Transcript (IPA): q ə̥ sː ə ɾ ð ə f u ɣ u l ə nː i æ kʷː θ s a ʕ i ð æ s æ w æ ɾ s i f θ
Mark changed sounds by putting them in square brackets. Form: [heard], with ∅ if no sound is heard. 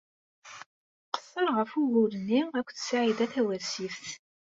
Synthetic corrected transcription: q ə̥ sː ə ɾ [ʁ] ə f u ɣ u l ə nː i æ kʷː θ s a ʕ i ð æ [θ] æ w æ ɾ s i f θ